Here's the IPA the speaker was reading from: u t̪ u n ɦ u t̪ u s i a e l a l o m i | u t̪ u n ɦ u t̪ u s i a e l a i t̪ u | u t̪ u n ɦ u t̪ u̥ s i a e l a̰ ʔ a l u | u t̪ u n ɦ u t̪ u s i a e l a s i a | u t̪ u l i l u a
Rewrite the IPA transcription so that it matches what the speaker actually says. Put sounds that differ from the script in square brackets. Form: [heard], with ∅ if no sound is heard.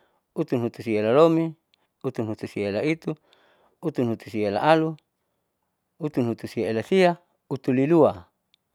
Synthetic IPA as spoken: u t̪ u n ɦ u t̪ u s i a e l a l o m i | u t̪ u n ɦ u t̪ u s i a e l a i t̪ u | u t̪ u n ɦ u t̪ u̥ s i a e l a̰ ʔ a l u | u t̪ u n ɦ u t̪ u s i a e l a s i a | u t̪ u l i l u a

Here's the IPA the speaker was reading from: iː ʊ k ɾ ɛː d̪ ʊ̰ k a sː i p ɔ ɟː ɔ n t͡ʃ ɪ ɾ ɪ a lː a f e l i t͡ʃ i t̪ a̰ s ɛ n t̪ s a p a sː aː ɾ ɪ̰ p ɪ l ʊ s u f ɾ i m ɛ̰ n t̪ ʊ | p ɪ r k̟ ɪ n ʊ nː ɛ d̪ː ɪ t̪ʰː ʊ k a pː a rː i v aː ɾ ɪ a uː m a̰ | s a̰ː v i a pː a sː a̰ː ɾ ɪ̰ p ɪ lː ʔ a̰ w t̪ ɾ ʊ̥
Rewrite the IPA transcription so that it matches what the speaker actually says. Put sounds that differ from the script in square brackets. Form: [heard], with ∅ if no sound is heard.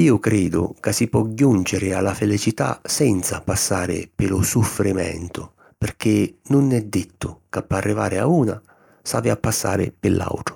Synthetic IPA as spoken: iː ʊ k ɾ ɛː d̪ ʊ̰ k a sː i p ɔ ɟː [u] n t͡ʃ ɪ ɾ ɪ a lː a f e l i t͡ʃ i t̪ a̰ s ɛ n t̪ s a p a sː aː ɾ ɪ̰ p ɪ l ʊ s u f ɾ i m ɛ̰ n t̪ ʊ | p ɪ r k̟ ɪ n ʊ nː ɛ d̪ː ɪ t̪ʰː ʊ k a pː a rː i v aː ɾ ɪ a uː [n] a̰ | s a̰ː v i a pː a sː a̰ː ɾ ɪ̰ p ɪ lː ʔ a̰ w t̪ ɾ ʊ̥

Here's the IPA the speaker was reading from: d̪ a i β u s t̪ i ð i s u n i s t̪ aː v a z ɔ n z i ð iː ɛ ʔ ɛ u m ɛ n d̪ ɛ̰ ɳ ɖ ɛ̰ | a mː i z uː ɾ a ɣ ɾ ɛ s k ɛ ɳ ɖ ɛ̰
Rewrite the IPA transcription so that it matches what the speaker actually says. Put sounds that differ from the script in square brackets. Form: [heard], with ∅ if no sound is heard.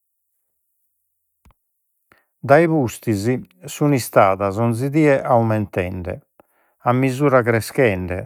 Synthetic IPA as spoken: d̪ a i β u s t̪ i [z] i s u n i s t̪ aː [ð] a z ɔ n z i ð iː ɛ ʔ [a] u m ɛ n [t̪] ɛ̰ ɳ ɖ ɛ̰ | a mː i z uː ɾ a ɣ ɾ ɛ s k ɛ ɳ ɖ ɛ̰

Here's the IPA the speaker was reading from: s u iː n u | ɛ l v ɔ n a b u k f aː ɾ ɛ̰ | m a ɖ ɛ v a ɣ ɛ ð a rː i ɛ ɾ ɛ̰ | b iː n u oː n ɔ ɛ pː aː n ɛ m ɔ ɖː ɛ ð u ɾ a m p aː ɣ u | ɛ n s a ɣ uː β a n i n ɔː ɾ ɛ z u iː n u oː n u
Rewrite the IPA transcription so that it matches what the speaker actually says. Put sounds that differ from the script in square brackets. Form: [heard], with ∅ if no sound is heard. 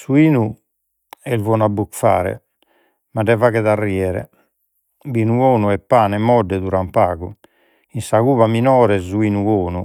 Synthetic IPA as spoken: s u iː n u | ɛ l v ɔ n a b u k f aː ɾ ɛ̰ | m a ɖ ɛ v a ɣ ɛ ð a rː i ɛ ɾ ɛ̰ | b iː n u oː n [u] ɛ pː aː n ɛ m ɔ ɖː ɛ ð u ɾ a m p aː ɣ u | [i] n s a ɣ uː β a [m] i n ɔː ɾ ɛ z u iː n u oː n u

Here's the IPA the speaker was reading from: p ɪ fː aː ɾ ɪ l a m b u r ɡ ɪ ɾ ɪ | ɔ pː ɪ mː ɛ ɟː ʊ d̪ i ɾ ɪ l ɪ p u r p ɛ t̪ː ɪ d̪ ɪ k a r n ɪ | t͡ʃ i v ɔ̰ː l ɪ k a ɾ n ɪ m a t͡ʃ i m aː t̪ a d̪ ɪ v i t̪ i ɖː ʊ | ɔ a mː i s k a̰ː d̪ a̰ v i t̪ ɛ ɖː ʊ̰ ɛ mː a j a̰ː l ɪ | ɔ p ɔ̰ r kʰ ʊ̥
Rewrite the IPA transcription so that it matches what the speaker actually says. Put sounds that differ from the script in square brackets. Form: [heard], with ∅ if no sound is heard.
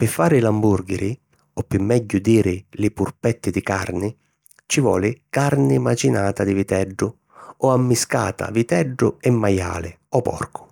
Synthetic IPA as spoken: p ɪ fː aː ɾ ɪ l a m b u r ɡ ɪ ɾ ɪ | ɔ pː ɪ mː ɛ ɟː ʊ d̪ [iː] ɾ ɪ l ɪ p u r p ɛ t̪ː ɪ d̪ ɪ k a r n ɪ | t͡ʃ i v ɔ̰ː l ɪ k a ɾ n ɪ m a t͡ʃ i [n] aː t̪ a d̪ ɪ v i t̪ [ɛ] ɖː ʊ | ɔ a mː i s k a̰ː [t̪] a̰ v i t̪ ɛ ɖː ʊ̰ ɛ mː a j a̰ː l ɪ | ɔ p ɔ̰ r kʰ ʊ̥

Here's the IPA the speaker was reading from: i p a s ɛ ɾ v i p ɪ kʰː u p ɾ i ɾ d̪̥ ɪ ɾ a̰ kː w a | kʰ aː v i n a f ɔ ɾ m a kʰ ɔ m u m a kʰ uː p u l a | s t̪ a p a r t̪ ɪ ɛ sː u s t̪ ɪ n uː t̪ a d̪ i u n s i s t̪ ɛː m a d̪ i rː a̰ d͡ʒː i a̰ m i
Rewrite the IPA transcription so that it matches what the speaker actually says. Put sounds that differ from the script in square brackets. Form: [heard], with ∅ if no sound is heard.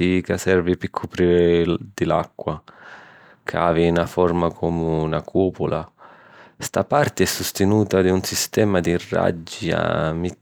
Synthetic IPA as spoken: i [k] a s ɛ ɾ v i p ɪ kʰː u p ɾ i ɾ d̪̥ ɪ [l] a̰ kː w a | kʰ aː v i n a f ɔ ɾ m a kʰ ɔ m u [n] a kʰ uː p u l a | s t̪ a p a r t̪ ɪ ɛ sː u s t̪ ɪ n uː t̪ a d̪ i u n s i s t̪ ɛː m a d̪ i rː a̰ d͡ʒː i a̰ m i

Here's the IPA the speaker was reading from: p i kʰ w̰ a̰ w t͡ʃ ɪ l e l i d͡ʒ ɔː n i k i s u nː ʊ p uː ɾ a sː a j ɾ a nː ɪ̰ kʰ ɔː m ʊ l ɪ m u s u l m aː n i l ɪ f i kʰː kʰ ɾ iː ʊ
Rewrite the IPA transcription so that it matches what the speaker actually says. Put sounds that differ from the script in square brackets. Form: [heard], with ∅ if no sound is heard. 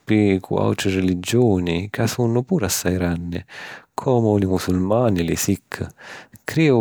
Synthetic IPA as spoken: p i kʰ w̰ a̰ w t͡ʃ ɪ [r] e l i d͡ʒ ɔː n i k [a] s u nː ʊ p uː ɾ a sː a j ɾ a nː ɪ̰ kʰ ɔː m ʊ l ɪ m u s u l m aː n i l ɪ [s] i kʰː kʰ ɾ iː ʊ

